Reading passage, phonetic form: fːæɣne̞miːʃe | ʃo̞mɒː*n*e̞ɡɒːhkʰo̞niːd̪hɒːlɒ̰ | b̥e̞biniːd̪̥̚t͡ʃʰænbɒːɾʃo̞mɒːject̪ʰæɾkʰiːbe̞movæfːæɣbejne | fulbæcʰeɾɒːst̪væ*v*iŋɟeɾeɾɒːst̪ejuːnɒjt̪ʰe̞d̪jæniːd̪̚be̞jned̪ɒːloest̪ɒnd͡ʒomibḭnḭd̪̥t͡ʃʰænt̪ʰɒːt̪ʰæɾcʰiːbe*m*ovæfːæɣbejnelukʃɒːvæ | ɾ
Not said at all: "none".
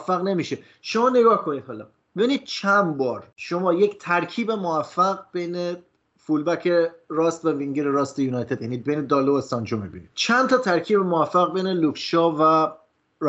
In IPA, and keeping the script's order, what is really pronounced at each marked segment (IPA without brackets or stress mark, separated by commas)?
n, v, m